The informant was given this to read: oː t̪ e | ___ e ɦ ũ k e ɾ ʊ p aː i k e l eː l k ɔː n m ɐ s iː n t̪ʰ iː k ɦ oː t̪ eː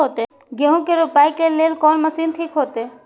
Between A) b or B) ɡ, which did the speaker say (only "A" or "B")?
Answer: B